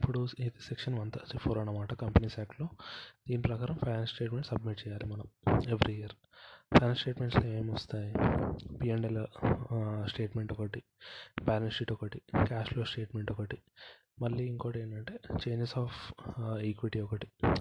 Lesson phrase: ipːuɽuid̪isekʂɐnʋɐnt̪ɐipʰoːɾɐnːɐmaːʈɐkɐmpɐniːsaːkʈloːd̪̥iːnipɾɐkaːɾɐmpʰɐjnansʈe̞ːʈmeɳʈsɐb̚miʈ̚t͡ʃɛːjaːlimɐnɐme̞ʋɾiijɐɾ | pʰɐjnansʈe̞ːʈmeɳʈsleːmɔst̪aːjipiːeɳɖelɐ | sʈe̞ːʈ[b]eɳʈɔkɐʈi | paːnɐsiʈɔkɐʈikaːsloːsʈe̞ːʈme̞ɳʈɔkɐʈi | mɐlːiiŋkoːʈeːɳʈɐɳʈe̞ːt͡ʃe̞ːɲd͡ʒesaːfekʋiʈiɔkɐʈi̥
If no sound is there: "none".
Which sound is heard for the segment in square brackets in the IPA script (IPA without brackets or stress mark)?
m